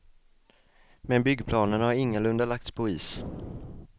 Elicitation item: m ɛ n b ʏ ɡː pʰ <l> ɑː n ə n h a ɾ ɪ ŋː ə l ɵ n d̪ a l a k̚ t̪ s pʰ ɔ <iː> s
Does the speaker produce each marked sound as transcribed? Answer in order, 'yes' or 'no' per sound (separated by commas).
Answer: yes, yes